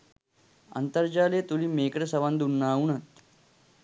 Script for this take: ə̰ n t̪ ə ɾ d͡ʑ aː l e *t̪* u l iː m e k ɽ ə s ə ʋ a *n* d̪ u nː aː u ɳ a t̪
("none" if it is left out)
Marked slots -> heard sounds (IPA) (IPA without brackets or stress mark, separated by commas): t̪, n